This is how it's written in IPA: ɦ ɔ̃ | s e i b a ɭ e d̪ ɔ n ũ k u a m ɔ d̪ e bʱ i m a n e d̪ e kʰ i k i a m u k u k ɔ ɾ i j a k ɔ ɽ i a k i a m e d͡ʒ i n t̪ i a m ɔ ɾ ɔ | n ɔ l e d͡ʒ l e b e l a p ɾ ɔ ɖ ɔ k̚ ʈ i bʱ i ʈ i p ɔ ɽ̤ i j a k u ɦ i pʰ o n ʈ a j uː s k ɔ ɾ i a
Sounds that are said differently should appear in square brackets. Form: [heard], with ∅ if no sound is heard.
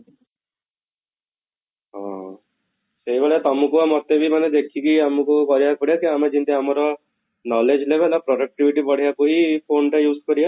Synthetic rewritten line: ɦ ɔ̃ | s e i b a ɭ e [t̪] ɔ [m] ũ k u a m ɔ [t̪] e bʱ i m a n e d̪ e kʰ i k i a m u k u k ɔ ɾ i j a k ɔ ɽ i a k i a m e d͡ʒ i n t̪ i a m ɔ ɾ ɔ | n ɔ l e d͡ʒ l e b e l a p ɾ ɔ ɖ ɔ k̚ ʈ i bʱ i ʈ i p ɔ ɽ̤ i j a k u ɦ i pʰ o n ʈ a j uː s k ɔ ɾ i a

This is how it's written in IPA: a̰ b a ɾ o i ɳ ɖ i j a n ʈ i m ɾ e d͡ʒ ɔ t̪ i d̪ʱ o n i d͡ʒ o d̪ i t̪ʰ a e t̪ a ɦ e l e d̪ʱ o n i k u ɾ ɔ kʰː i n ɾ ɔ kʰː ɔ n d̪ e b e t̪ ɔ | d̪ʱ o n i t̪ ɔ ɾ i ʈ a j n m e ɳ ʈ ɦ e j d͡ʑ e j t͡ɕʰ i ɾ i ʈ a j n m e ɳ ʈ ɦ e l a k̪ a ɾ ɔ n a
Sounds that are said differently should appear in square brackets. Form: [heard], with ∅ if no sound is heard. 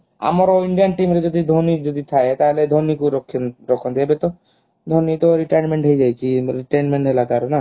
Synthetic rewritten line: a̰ [m] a ɾ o i ɳ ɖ i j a n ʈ i m ɾ e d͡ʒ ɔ [d̪] i d̪ʱ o n i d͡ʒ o d̪ i t̪ʰ a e t̪ a ɦ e l e d̪ʱ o n i k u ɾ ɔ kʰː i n ɾ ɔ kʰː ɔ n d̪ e b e t̪ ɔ | d̪ʱ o n i t̪ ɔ ɾ i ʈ a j n m e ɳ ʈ ɦ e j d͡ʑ [a] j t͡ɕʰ i ɾ i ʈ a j n m e ɳ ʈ ɦ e l a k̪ a ɾ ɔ n a

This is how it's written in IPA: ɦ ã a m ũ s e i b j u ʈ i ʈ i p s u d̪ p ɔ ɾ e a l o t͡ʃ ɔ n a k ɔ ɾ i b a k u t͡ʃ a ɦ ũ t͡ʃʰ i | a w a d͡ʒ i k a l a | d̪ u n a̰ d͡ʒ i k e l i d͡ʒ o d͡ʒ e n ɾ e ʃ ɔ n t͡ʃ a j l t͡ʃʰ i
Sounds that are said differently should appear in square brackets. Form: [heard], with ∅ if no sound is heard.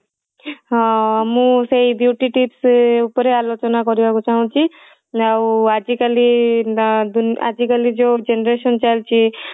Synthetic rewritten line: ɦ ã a m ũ s e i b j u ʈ i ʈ i p s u [∅] p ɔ ɾ e a l o t͡ʃ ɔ n a k ɔ ɾ i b a k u t͡ʃ a ɦ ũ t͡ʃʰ i | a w a d͡ʒ i k a l [i] | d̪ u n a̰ d͡ʒ i k [a] l i d͡ʒ o d͡ʒ e n ɾ e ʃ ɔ n t͡ʃ a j l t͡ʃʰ i

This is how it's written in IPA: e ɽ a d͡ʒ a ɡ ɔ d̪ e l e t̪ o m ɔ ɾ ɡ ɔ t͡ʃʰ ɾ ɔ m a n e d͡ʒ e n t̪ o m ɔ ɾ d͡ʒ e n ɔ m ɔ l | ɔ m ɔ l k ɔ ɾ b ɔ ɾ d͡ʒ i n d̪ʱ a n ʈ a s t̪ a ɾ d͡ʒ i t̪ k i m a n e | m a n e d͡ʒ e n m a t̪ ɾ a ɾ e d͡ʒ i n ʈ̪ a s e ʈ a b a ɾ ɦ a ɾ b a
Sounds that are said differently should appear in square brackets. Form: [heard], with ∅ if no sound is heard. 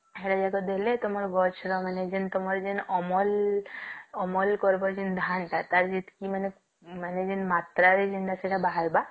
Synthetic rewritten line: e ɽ a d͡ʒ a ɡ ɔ d̪ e l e t̪ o m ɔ ɾ ɡ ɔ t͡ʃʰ ɾ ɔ m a n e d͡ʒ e n t̪ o m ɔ ɾ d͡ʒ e n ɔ m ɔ l | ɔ m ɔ l k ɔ ɾ b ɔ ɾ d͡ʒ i n d̪ʱ a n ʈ a [∅] t̪ a ɾ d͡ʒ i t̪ k i m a n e | m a n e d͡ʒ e n m a t̪ ɾ a ɾ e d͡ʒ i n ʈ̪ a s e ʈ a b a [∅] ɦ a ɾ b a

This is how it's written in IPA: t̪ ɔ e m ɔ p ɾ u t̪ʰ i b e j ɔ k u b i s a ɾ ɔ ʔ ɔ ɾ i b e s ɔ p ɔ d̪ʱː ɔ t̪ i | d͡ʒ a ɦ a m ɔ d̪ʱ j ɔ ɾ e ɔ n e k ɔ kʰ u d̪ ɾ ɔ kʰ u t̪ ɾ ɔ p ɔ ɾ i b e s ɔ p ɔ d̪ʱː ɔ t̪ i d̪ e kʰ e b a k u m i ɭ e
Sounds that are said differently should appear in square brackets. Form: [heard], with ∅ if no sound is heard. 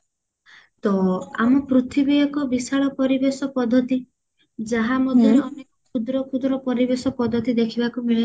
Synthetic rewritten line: t̪ ɔ [a] m ɔ p ɾ u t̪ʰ i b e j ɔ k [ɔ] b i s a [ɭ] ɔ [p] ɔ ɾ i b e s ɔ p ɔ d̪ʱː ɔ t̪ i | d͡ʒ a ɦ a m ɔ d̪ʱ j ɔ ɾ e ɔ n e k ɔ kʰ u d̪ ɾ ɔ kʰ u [d̪] ɾ ɔ p ɔ ɾ i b e s ɔ p ɔ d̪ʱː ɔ t̪ i d̪ e kʰ [i] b a k u m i ɭ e

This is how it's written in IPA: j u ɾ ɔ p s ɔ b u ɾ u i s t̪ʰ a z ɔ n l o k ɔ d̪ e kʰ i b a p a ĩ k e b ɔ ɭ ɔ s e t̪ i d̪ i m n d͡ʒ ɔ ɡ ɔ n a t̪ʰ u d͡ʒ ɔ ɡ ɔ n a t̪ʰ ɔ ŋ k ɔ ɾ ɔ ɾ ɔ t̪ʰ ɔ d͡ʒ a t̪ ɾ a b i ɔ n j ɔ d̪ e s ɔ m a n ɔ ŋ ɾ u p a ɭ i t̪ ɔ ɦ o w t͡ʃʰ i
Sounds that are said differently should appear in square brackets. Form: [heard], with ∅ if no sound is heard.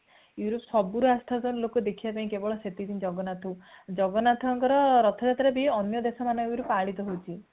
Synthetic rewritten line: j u ɾ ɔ p s ɔ b u ɾ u [a] s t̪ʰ a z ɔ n l o k ɔ d̪ e kʰ i b a p a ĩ k e b ɔ ɭ ɔ s e t̪ i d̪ i [∅] n d͡ʒ ɔ ɡ ɔ n a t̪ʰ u d͡ʒ ɔ ɡ ɔ n a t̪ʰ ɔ ŋ k ɔ ɾ ɔ ɾ ɔ t̪ʰ ɔ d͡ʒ a t̪ ɾ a b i ɔ n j ɔ d̪ e s ɔ m a n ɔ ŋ ɾ u p a ɭ i t̪ ɔ ɦ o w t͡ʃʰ i

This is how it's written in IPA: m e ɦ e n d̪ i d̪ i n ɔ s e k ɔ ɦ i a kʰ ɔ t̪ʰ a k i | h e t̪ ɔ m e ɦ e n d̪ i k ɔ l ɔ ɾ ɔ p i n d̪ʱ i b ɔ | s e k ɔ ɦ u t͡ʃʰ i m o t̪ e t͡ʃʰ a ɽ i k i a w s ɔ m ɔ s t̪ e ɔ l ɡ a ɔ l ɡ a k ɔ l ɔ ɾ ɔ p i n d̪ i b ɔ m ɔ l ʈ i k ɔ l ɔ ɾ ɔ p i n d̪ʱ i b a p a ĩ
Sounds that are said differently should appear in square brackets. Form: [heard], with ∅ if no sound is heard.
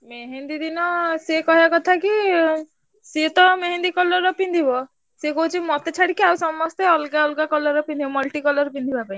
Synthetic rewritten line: m e ɦ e n d̪ i d̪ i n ɔ s e k ɔ ɦ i a [k] ɔ t̪ʰ a k i | [s] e t̪ ɔ m e ɦ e n d̪ i k ɔ l ɔ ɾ ɔ p i n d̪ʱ i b ɔ | s e k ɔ ɦ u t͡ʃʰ i m [ɔ] t̪ e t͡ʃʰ a ɽ i k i a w s ɔ m ɔ s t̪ e ɔ l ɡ a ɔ l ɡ a k ɔ l ɔ ɾ ɔ p i n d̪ i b ɔ m ɔ l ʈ i k ɔ l ɔ ɾ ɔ p i n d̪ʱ i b a p a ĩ

